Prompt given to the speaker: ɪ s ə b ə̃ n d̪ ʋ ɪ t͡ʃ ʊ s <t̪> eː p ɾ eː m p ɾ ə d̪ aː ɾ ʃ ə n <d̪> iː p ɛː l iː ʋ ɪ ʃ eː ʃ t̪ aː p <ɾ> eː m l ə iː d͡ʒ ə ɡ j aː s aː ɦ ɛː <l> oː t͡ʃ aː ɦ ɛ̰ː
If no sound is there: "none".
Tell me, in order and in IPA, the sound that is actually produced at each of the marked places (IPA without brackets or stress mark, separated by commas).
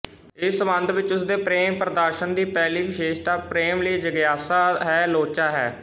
d̪, d̪, ɾ, l